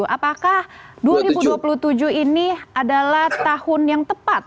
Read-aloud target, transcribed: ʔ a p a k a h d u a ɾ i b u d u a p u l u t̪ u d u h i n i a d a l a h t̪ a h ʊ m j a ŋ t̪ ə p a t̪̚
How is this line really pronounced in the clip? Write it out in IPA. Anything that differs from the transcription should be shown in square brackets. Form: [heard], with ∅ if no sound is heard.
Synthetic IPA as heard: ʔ a p a k a h d u a ɾ i b u d u a p u l u t̪ u [d͡ʒ] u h i n i a d a l a h t̪ a h ʊ [n] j a ŋ t̪ ə p a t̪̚